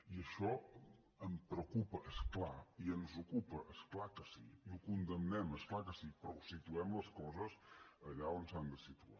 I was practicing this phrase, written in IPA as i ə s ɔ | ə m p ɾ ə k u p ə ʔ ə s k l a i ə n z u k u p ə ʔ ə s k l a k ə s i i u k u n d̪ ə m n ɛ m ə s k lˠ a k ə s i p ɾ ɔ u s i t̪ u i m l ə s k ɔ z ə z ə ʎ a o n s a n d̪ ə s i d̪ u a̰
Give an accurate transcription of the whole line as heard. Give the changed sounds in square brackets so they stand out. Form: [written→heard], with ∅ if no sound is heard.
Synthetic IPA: i ə [s→ʃ] ɔ | ə m p ɾ ə k u p ə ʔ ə s k l a i ə n z u k u p ə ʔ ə s k l a k ə s i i u k u n d̪ ə m n ɛ m ə s k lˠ a k ə s i p ɾ ɔ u s i t̪ u [i→ɛ] m l ə s k ɔ z ə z ə ʎ a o n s a n d̪ ə s i [d̪→t̪] u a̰